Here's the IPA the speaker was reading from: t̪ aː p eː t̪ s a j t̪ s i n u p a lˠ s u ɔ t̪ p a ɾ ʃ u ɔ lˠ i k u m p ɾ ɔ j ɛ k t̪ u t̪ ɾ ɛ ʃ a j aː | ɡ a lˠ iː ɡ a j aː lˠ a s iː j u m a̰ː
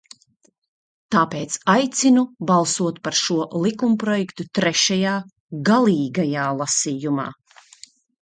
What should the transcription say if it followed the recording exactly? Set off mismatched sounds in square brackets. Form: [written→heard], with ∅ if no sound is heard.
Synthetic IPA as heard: t̪ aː p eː t̪ s a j t̪ s i n u [p→b] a lˠ s u ɔ t̪ p a ɾ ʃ u ɔ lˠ i k u m p ɾ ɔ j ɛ k t̪ u t̪ ɾ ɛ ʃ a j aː | ɡ a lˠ iː ɡ a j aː lˠ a s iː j u m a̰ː